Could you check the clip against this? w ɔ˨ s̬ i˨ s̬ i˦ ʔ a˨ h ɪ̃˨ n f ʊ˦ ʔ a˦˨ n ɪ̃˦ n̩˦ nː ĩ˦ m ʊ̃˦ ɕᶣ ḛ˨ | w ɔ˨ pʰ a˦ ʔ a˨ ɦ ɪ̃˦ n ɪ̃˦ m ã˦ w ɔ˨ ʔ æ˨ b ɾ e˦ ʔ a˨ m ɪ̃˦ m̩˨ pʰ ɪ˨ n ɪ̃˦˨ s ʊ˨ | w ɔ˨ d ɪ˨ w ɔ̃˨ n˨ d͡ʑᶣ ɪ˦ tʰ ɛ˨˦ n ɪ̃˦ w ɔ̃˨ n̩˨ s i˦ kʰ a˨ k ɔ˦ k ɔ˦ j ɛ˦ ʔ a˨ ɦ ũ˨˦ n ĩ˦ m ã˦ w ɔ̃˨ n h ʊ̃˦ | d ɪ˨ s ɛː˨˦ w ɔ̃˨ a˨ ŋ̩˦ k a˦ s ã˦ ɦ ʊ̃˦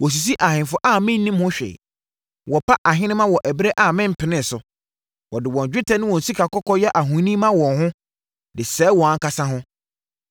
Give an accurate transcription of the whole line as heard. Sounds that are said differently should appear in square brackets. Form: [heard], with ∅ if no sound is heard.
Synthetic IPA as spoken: w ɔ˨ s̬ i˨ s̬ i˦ ʔ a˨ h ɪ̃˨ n f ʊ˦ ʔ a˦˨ [m] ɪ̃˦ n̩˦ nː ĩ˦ m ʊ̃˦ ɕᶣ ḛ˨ | w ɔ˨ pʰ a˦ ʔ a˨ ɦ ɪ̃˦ n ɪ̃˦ m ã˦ w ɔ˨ ʔ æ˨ b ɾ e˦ ʔ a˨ m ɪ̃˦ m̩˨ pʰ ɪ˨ n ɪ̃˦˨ s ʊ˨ | w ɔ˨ d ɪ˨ w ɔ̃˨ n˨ d͡ʑᶣ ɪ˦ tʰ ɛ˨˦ n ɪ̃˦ w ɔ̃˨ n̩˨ s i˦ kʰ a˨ k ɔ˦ k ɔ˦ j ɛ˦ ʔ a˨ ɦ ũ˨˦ n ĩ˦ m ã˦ w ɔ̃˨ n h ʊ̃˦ | d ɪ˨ s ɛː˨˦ w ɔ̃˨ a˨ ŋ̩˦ k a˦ s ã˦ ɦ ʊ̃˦

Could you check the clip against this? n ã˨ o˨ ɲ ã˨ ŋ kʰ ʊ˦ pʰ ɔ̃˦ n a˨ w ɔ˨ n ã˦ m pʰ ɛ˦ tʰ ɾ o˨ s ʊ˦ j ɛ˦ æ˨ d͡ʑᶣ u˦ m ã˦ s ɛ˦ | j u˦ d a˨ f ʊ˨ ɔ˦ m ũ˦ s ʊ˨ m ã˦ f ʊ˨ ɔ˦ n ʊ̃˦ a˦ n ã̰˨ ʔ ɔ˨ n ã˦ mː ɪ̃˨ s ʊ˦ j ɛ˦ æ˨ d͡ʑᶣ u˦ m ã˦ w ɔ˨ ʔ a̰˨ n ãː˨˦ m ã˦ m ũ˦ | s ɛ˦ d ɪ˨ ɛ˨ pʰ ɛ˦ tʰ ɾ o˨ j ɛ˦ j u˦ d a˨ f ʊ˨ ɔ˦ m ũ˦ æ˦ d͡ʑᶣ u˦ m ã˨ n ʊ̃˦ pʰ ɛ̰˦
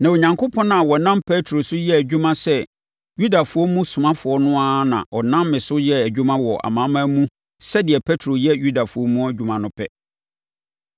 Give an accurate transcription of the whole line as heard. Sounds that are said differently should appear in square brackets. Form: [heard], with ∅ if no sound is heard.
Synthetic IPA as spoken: n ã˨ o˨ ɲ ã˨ ŋ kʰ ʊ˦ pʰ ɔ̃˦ n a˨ w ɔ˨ n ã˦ m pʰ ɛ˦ tʰ ɾ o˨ s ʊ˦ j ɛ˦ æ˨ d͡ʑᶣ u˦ m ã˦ s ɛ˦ | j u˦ d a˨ f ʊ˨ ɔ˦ m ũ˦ s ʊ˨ m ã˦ f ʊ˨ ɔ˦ n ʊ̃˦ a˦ n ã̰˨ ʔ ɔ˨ n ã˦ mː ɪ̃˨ s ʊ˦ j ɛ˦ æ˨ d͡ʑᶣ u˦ m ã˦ w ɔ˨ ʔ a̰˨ [m] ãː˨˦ m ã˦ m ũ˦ | s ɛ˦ d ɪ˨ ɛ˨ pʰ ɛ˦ tʰ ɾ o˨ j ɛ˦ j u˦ d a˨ f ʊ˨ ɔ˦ m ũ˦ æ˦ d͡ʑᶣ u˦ m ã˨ n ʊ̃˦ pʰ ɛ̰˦

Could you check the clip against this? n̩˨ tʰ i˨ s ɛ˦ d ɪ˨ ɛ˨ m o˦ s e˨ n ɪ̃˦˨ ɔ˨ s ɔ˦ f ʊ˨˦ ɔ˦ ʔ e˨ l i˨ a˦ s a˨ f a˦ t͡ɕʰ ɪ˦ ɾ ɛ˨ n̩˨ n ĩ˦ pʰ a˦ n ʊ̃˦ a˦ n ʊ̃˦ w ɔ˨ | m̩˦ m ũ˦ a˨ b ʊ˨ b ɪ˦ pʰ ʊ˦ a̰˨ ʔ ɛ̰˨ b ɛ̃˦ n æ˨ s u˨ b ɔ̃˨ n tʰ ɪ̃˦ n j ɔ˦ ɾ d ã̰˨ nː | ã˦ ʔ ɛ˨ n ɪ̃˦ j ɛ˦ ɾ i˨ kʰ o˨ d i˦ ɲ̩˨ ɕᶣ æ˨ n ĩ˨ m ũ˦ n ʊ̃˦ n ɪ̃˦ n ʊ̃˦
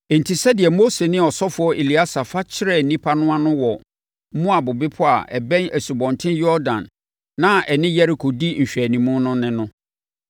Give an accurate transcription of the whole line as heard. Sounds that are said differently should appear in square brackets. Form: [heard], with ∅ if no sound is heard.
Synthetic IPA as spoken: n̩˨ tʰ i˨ s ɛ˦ d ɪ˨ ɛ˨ m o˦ s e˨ n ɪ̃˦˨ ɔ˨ s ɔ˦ f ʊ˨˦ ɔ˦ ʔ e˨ l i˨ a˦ s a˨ f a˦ t͡ɕʰ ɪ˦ ɾ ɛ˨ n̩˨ n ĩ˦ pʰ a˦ n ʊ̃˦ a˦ n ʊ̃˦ w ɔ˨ | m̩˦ m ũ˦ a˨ b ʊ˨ b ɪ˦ pʰ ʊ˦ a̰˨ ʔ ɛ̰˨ b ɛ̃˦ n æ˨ s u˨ b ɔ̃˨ n tʰ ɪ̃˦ n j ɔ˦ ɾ d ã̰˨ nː | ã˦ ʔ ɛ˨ n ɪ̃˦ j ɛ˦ ɾ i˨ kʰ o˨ d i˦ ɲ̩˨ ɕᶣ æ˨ n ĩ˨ m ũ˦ n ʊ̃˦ n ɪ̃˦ n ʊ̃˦

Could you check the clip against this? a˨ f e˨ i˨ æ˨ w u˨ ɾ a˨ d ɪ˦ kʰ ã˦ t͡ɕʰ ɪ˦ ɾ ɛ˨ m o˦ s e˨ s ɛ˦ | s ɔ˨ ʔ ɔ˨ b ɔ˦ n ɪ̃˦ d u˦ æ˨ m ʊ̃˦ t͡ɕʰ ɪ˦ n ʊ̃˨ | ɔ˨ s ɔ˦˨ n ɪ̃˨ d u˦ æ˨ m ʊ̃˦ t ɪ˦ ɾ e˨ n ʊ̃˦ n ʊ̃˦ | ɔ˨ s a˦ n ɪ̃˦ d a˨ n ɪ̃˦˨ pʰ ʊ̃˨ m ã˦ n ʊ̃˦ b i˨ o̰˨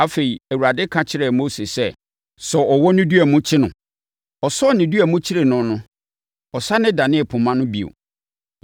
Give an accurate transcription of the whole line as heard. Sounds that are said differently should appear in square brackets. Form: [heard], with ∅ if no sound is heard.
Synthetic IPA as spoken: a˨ f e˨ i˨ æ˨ w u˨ ɾ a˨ d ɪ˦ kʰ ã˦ t͡ɕʰ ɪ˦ ɾ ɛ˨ m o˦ s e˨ s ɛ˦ | s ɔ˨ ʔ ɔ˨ [w] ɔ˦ n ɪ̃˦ d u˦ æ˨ m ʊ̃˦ t͡ɕʰ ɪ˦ n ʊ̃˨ | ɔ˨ s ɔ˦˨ n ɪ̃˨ d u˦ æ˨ m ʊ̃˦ [t͡ɕʰ] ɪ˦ ɾ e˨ n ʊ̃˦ n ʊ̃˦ | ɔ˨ s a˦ n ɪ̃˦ d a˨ n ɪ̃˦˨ pʰ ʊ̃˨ m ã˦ n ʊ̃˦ b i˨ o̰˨

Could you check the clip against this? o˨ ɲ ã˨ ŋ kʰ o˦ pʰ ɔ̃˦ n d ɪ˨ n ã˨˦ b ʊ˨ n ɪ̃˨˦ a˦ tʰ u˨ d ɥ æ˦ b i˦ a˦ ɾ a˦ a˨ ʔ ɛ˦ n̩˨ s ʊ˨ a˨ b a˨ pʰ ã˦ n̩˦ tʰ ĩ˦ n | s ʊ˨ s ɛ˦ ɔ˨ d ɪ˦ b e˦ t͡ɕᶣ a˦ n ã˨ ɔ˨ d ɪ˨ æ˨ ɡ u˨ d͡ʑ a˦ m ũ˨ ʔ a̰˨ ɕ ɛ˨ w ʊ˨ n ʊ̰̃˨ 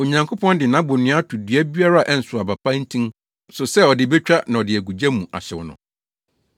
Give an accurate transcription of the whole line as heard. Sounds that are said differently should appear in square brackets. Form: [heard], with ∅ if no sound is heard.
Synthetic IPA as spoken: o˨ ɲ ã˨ ŋ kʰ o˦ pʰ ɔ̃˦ n d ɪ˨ n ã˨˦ b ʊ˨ n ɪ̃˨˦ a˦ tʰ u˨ d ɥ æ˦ b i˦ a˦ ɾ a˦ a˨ ʔ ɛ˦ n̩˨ s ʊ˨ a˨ b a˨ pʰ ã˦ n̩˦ tʰ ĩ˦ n | s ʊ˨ s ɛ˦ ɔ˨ d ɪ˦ b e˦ t͡ɕᶣ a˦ n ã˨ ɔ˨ d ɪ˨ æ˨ ɡ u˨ d͡ʑ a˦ m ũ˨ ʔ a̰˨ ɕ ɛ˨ w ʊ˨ n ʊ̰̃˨

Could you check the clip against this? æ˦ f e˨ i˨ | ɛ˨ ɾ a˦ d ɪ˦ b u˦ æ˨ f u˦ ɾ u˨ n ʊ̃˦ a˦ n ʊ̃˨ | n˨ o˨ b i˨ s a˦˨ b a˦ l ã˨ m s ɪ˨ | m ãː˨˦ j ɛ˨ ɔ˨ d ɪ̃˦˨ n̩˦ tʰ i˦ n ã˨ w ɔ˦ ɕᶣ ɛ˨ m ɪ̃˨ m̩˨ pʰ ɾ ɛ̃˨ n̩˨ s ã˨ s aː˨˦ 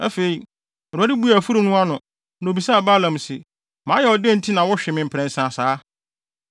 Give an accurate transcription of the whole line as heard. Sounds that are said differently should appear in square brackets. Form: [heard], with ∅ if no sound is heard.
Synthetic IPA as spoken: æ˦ f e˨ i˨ | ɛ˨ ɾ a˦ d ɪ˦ b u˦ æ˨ f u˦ ɾ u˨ n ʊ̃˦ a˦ n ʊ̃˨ | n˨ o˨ b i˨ s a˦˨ b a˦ l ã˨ m s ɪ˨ | m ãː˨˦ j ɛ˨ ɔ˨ d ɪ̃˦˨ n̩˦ tʰ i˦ n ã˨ w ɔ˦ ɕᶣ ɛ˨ m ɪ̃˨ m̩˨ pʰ ɾ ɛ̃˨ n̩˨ s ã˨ s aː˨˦

